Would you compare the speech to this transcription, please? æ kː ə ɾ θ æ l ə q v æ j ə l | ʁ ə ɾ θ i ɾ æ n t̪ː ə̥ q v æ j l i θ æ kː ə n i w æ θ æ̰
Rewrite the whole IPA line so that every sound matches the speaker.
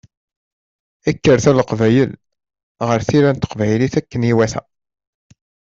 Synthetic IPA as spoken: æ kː ə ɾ θ æ l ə q v æ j ə l | ʁ ə ɾ θ i ɾ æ n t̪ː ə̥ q v æ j l i θ æ kː ə n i w æ θ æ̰